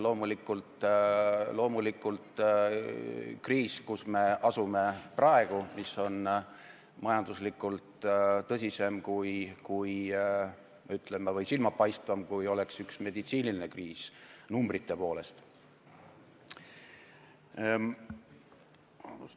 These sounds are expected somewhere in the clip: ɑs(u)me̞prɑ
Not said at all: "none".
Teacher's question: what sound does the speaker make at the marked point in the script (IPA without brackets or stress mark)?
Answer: u